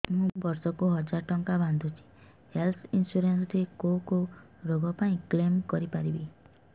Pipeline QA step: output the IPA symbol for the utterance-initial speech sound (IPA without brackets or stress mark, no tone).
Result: m